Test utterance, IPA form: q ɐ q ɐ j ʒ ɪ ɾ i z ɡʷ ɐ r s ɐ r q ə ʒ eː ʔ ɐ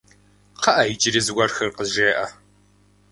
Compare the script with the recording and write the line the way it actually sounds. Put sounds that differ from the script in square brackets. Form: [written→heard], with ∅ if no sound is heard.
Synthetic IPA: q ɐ [q→ʔ] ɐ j [ʒ→d͡ʒ] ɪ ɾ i z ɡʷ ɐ r [s→x] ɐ r q ə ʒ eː ʔ ɐ

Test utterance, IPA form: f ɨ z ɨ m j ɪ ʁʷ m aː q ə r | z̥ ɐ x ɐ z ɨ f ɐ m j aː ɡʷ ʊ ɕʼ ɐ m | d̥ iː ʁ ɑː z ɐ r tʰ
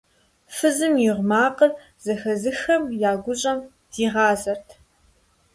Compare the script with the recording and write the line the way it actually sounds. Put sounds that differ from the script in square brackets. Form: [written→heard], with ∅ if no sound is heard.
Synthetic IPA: f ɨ z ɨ m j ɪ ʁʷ m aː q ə r | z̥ ɐ x ɐ z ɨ [f→x] ɐ m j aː ɡʷ ʊ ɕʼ ɐ m | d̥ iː ʁ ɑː z ɐ r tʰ

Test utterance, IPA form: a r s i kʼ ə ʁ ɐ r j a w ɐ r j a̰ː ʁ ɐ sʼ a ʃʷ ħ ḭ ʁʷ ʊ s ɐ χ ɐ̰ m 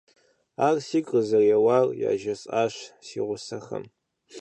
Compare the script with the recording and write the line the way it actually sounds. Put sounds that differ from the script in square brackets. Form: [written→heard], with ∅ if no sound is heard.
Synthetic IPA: a r s i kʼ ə [ʁ→z] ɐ r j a w [ɐ→a] r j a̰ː [ʁ→ʒ] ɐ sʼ a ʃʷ [ħ→s] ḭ ʁʷ ʊ s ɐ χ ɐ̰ m

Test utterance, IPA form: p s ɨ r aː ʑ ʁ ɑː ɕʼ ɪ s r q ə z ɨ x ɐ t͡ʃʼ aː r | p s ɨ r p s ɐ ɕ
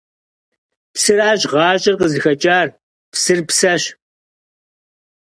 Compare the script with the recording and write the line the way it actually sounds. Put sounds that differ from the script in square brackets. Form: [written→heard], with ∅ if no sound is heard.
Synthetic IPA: p s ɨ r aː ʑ ʁ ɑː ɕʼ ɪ [s→∅] r q ə z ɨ x ɐ t͡ʃʼ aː r | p s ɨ r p s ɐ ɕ

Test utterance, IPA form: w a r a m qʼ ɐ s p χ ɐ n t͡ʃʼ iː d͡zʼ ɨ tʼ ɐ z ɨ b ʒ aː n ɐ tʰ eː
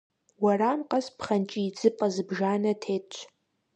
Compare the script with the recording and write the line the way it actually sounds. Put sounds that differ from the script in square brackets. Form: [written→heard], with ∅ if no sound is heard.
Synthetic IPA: w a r a m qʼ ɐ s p χ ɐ n t͡ʃʼ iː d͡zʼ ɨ [tʼ→pʼ] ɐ z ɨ b ʒ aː n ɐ tʰ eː

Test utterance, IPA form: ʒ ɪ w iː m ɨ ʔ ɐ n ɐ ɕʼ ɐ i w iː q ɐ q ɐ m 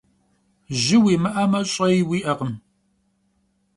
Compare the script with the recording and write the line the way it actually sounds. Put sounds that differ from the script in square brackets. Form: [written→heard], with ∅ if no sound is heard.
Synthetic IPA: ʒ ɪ w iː m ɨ ʔ ɐ [n→m] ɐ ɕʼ ɐ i w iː [q→ʔ] ɐ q [ɐ→ə] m

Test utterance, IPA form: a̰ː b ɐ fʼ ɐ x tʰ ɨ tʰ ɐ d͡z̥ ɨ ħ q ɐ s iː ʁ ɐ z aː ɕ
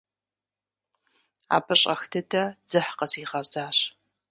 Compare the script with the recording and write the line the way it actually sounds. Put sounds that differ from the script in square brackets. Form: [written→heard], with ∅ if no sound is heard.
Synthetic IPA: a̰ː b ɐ [fʼ→ɕʼ] ɐ x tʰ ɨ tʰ ɐ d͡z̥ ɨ ħ q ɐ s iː ʁ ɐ z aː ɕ

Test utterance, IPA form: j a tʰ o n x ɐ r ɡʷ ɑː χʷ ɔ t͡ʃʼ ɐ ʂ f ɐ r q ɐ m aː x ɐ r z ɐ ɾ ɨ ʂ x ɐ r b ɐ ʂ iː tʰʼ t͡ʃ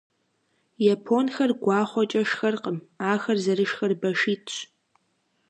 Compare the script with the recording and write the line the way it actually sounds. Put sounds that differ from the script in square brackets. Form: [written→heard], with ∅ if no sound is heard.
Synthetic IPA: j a [tʰ→pʰ] o n x ɐ r ɡʷ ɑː χʷ ɔ t͡ʃʼ ɐ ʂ [f→x] ɐ r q [ɐ→ə] m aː x ɐ r z ɐ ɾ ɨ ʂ x ɐ r b ɐ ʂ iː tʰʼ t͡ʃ

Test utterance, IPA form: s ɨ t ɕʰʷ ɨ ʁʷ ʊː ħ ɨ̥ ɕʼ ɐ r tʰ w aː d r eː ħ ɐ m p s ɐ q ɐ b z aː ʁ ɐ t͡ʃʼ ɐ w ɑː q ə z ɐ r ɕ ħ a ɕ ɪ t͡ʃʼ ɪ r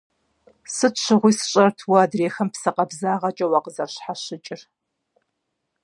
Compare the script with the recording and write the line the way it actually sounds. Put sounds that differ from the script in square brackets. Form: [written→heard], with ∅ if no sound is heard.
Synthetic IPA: s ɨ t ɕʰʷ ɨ ʁʷ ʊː [ħ→s] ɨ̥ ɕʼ ɐ r tʰ w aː d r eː [ħ→x] ɐ m p s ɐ q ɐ b z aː ʁ ɐ t͡ʃʼ ɐ w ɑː q ə z ɐ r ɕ ħ a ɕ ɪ t͡ʃʼ ɪ r

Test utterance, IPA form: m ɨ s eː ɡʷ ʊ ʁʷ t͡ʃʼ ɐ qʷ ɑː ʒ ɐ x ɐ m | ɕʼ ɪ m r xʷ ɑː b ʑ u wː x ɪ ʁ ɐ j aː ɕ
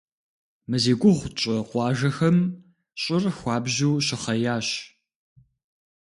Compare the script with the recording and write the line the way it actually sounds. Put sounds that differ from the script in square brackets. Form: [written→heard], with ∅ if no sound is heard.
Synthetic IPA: m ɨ [s→z] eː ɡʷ ʊ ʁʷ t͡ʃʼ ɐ qʷ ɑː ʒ ɐ x ɐ m | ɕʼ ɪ [m→∅] r xʷ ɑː b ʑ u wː [x→ɕ] ɪ [ʁ→χ] ɐ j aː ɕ

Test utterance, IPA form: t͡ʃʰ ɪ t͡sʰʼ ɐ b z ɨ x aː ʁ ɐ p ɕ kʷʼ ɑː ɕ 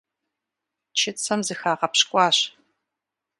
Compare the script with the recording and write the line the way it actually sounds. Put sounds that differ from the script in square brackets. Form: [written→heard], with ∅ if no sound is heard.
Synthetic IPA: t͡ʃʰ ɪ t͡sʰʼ ɐ [b→m] z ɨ x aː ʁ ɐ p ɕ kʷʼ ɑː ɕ

